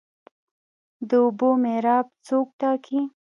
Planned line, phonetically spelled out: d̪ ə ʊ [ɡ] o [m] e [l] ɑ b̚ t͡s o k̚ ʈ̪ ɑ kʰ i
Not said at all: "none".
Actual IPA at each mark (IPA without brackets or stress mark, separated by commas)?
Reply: b, m, ɾ